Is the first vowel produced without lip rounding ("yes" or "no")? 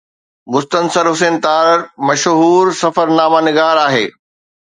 no